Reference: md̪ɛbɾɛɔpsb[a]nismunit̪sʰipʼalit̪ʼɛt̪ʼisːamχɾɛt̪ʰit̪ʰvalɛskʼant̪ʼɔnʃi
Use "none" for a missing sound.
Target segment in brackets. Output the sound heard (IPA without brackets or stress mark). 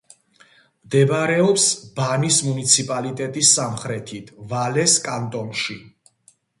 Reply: a